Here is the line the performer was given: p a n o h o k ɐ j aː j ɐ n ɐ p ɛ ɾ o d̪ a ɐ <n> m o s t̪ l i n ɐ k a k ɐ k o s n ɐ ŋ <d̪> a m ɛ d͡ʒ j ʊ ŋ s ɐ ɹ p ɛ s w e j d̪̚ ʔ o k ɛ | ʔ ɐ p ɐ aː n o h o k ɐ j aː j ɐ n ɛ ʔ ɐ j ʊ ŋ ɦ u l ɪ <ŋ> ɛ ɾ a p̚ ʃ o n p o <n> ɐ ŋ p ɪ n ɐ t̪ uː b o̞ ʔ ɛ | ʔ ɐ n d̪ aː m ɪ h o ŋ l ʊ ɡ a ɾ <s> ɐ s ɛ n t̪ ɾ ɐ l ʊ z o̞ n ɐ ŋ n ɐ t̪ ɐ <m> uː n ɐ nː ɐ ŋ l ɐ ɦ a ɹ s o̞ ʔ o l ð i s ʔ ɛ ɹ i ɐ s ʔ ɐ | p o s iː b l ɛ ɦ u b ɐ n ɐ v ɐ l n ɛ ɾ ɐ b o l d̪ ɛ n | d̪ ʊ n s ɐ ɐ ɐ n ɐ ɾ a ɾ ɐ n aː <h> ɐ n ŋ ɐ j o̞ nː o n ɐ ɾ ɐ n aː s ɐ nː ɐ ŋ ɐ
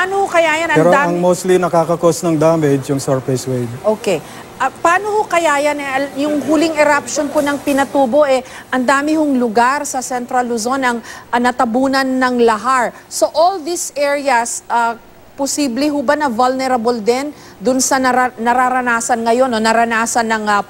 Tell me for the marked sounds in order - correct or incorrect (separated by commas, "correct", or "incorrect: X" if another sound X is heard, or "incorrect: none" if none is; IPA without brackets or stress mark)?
incorrect: ŋ, correct, correct, correct, correct, incorrect: b, incorrect: s